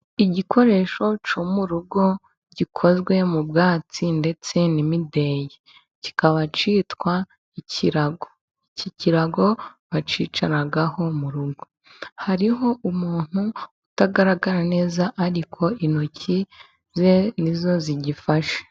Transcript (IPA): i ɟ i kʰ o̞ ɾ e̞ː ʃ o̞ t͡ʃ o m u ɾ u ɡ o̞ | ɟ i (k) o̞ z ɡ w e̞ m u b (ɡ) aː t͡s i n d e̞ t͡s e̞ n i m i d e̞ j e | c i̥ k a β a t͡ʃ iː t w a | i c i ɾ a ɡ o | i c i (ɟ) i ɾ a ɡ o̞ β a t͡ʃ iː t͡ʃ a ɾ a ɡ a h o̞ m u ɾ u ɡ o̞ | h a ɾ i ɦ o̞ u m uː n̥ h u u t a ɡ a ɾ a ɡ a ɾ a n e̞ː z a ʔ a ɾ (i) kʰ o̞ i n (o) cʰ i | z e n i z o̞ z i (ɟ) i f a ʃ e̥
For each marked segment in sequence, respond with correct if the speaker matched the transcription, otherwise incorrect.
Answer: incorrect: kʰ, correct, incorrect: c, correct, correct, correct

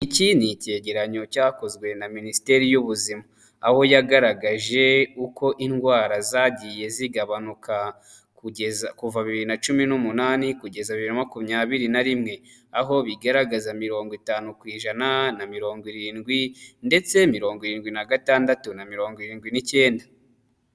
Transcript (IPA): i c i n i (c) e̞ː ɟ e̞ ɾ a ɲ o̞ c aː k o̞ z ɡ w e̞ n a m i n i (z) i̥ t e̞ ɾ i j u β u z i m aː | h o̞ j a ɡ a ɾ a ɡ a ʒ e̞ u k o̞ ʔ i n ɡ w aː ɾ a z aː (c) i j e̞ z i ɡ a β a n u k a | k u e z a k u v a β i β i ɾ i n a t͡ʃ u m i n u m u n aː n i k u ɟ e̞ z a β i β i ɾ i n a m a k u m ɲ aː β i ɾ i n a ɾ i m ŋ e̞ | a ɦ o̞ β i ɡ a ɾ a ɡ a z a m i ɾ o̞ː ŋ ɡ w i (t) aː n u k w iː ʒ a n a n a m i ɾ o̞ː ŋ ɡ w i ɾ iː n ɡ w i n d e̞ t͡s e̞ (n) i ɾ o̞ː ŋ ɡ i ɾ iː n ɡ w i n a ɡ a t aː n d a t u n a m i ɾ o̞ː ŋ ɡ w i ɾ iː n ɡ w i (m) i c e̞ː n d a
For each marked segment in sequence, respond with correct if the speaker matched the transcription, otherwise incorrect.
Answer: correct, incorrect: s, incorrect: ɟ, correct, incorrect: m, incorrect: n

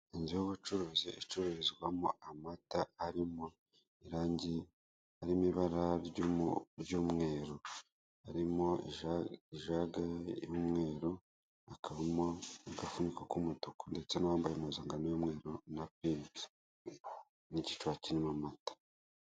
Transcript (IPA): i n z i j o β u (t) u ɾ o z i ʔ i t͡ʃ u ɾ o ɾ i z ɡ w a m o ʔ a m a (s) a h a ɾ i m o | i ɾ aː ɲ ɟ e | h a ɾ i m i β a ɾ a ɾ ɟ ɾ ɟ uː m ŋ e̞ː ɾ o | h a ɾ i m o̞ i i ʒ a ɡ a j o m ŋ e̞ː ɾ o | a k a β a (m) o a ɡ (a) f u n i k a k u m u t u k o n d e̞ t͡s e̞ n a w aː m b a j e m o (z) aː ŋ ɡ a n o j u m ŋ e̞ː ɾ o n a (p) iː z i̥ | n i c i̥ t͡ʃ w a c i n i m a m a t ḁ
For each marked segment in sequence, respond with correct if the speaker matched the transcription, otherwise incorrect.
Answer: incorrect: t͡ʃ, incorrect: t, correct, correct, correct, correct

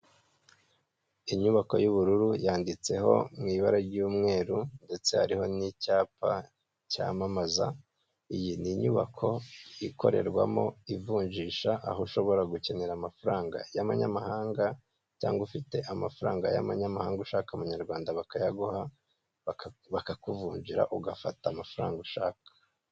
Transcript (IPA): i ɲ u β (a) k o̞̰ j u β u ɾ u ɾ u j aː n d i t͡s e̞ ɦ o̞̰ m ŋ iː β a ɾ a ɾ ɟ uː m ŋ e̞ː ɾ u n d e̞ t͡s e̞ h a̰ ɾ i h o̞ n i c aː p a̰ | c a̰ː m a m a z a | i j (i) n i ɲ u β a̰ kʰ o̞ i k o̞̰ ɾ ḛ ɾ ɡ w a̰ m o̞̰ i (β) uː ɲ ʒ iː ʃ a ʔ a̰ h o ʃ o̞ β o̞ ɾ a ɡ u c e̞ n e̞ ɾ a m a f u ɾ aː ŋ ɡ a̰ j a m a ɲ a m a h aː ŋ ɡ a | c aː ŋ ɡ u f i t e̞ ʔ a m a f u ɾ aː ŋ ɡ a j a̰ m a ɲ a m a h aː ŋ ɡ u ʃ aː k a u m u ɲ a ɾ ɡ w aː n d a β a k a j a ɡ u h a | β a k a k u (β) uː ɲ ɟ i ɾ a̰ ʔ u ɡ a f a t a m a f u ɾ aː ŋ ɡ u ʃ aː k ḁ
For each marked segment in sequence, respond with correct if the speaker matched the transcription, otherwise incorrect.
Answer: correct, correct, incorrect: v, incorrect: v

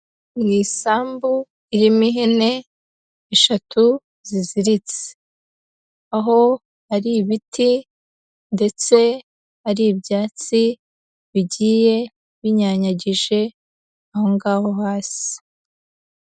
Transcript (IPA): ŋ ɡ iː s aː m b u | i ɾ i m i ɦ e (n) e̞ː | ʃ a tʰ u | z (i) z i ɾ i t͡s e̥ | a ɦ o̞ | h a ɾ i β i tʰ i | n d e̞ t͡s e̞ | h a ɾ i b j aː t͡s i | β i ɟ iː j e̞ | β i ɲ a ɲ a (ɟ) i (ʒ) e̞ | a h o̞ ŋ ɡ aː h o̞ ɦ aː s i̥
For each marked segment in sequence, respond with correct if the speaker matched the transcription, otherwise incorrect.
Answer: correct, correct, correct, correct

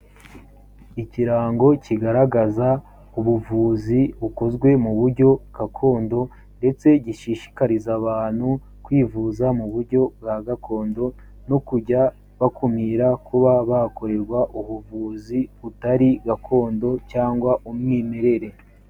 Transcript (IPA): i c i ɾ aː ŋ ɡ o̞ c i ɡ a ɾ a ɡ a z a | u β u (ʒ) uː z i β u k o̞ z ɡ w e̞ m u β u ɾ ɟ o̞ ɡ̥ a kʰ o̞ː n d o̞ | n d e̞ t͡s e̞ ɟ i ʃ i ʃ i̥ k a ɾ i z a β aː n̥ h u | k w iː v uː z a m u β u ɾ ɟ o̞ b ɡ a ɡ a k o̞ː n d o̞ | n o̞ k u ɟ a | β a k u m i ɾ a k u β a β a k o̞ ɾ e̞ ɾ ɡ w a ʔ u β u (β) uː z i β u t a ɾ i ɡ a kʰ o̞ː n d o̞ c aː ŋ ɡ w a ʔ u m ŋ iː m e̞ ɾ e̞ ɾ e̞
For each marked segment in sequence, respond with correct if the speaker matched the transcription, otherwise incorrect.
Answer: incorrect: v, incorrect: v

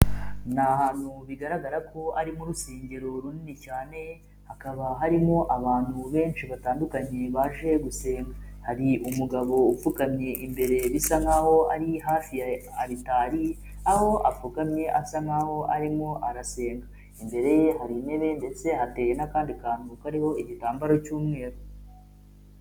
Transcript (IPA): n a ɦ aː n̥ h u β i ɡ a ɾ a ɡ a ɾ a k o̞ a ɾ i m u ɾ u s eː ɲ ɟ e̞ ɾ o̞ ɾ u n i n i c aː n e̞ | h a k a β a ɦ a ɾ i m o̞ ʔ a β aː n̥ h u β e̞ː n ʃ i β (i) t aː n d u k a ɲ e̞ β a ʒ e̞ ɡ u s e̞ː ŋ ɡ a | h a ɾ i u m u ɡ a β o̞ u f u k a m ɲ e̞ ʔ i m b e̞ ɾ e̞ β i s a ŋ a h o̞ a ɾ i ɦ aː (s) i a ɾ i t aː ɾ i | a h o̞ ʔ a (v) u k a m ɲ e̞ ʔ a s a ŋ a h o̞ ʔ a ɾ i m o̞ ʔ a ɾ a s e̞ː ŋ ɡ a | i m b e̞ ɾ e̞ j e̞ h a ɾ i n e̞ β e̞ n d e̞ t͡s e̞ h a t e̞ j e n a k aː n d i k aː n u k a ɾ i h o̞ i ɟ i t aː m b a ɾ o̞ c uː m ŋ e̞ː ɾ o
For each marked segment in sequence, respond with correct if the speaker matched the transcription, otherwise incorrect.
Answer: incorrect: a, incorrect: f, incorrect: f

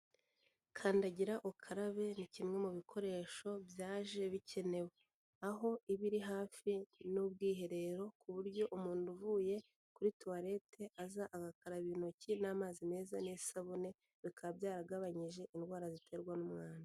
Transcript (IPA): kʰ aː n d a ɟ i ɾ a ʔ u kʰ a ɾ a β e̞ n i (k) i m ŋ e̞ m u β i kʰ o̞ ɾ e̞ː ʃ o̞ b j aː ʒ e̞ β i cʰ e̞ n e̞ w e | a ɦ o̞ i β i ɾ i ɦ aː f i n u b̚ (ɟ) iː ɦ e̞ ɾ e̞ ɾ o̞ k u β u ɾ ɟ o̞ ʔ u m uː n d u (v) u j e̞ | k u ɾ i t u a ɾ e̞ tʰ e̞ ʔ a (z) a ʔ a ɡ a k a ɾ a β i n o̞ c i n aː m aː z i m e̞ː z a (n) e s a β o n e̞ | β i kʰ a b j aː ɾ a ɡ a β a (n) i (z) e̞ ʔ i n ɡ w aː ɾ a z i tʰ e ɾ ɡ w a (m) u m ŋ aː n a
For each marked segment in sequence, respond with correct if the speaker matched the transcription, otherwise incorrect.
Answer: incorrect: c, incorrect: ɡ, correct, correct, correct, incorrect: ɲ, incorrect: ʒ, incorrect: n

